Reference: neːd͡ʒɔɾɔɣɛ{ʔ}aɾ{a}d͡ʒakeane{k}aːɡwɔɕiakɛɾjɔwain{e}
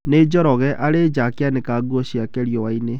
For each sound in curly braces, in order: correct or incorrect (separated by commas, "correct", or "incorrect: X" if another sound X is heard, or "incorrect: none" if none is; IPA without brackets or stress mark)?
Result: correct, incorrect: e, correct, correct